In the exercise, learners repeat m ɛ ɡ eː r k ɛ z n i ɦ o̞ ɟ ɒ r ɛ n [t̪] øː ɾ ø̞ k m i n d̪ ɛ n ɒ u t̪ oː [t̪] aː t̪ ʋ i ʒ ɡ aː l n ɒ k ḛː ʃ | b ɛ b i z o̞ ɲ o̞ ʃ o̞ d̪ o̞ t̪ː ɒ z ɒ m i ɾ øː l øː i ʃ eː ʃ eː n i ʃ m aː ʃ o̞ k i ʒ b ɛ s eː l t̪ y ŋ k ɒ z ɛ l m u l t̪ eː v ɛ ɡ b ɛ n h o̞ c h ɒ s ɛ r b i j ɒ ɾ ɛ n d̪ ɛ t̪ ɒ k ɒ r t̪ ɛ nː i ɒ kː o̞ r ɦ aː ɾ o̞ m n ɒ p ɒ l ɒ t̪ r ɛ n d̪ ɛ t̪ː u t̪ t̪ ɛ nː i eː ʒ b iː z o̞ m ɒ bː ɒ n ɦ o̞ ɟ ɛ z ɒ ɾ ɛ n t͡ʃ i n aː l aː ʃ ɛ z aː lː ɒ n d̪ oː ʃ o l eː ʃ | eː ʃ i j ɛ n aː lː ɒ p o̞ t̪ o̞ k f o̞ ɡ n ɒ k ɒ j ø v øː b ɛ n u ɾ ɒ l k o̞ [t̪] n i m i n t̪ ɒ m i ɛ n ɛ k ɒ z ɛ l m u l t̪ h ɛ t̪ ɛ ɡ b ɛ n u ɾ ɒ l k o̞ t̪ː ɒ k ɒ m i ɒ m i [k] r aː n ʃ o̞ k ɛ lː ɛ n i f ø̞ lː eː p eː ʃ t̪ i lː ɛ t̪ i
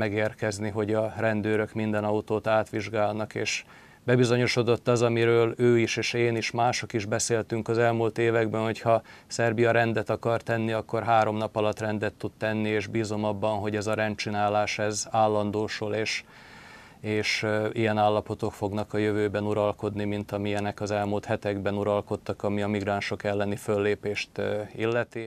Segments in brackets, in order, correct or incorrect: incorrect, correct, incorrect, incorrect

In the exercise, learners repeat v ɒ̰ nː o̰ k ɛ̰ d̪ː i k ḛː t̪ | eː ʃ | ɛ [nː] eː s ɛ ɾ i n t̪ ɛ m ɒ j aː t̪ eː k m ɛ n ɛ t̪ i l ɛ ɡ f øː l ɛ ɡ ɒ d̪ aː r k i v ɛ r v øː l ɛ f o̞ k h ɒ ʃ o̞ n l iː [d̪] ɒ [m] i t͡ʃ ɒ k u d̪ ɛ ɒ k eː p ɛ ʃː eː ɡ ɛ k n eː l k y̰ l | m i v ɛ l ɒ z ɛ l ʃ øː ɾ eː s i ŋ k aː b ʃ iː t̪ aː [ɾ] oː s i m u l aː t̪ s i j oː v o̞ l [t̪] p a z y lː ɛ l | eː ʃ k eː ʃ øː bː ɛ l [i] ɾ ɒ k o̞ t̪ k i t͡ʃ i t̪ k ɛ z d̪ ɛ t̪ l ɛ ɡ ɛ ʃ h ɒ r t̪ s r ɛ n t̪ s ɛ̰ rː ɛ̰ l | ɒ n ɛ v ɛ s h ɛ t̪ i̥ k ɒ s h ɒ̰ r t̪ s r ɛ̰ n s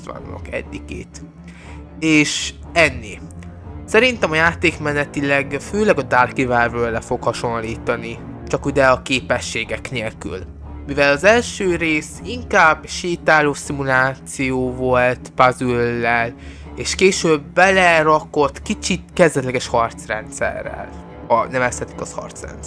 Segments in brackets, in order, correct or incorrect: correct, incorrect, incorrect, incorrect, correct, incorrect

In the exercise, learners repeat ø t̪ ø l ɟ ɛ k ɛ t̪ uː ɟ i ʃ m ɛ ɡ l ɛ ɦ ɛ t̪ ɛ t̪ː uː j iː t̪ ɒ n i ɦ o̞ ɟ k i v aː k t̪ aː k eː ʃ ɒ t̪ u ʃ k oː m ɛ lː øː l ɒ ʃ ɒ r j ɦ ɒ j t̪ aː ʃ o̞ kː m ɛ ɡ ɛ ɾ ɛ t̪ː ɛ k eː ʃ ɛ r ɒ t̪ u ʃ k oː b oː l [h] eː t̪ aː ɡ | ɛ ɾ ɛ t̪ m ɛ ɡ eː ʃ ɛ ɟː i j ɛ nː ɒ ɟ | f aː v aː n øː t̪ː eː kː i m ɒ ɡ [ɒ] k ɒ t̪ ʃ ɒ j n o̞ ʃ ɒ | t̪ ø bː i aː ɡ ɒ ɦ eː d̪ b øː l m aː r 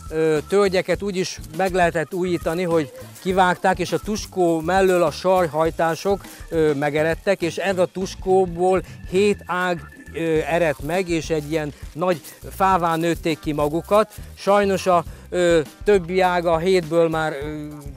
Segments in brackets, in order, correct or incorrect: correct, incorrect

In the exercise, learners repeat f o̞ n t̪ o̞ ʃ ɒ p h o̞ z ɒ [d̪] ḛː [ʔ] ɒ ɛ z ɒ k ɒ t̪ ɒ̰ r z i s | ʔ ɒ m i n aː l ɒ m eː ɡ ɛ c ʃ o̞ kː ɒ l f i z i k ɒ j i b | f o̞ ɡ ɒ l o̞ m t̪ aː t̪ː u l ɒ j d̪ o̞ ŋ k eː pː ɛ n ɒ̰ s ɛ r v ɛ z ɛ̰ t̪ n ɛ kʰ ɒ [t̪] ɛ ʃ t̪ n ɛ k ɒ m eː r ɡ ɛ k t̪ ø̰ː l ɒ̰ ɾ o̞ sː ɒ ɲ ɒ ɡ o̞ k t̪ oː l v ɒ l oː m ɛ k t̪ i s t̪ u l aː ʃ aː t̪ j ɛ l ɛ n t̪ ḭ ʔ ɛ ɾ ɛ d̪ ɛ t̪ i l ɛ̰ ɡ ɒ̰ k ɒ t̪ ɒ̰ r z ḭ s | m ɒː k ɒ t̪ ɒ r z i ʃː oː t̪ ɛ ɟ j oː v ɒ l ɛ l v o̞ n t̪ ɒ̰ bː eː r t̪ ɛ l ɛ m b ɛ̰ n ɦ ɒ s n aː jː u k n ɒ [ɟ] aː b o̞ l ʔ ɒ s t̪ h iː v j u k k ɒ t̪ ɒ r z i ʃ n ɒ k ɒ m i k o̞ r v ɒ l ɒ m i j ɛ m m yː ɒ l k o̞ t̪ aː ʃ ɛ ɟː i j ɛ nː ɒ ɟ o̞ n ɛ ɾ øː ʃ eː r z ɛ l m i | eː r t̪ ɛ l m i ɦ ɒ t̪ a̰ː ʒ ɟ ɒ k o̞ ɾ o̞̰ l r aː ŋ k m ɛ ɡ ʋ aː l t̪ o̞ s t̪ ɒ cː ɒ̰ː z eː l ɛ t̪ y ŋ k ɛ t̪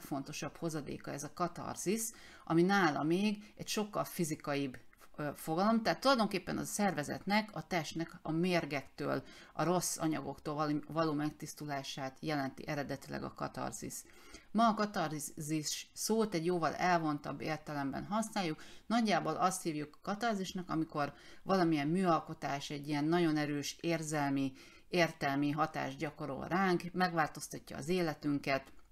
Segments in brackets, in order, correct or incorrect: correct, incorrect, correct, incorrect

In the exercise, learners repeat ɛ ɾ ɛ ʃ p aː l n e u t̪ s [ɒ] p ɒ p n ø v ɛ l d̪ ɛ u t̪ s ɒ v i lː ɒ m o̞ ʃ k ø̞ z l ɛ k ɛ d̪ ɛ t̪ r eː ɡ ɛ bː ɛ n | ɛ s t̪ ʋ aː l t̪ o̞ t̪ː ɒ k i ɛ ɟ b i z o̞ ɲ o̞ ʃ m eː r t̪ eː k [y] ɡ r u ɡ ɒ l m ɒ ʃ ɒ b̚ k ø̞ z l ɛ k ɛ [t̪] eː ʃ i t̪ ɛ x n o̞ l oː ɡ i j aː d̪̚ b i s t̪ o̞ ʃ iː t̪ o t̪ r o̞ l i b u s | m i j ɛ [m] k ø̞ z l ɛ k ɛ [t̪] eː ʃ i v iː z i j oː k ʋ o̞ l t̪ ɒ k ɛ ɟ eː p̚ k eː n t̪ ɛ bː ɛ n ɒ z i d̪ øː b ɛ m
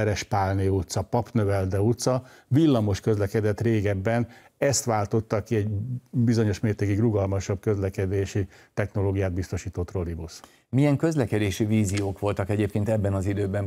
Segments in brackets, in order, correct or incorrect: correct, incorrect, incorrect, incorrect, incorrect

